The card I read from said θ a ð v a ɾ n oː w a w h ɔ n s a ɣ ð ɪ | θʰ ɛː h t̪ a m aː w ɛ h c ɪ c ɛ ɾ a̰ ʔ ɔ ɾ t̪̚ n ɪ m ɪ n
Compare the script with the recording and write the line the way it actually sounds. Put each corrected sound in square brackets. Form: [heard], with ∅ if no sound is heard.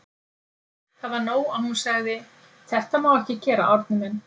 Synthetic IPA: θ a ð v a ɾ n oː w a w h [u] n s a ɣ ð ɪ | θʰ [ɛ] h t̪ a m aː w ɛ h c ɪ c [ɛː] ɾ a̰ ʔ ɔ ɾ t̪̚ n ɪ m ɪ n